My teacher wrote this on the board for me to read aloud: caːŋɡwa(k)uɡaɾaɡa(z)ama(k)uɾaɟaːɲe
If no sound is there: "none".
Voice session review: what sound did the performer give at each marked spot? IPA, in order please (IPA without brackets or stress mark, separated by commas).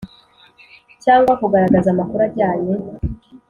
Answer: k, z, k